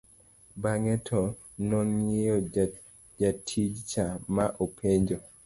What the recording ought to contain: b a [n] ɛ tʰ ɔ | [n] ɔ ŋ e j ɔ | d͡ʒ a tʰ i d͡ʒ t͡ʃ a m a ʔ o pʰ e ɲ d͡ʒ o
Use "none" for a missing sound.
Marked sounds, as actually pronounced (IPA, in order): ŋ, n

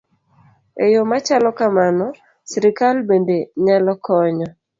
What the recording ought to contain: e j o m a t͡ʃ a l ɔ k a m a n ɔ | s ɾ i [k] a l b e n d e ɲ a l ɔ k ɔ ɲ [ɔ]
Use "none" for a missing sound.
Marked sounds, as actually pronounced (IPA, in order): k, ɔ

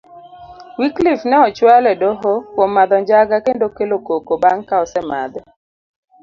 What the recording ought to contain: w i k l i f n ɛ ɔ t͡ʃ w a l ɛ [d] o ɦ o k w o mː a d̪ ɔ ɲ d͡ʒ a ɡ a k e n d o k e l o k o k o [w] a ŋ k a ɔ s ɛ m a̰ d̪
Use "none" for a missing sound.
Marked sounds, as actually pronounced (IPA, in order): d, b

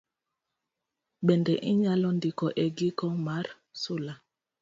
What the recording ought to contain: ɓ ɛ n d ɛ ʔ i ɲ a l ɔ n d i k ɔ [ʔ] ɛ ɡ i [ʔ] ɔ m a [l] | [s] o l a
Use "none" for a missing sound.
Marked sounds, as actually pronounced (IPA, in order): ʔ, k, ɾ, s

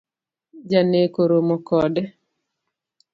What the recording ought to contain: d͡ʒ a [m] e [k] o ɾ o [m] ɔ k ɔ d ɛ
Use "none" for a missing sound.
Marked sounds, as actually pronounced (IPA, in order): n, k, m

